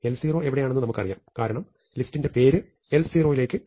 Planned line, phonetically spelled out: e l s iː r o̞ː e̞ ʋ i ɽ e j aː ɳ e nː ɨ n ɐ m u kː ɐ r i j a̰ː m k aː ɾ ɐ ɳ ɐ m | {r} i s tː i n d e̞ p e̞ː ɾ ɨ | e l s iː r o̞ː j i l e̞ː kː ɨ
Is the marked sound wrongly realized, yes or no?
yes